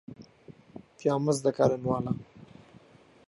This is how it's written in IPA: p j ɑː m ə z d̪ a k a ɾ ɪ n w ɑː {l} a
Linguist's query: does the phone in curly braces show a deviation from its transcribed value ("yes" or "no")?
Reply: no